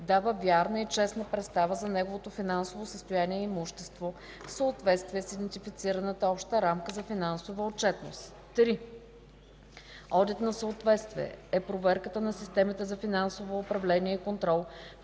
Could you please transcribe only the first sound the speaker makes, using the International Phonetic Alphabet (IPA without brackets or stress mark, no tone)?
d̪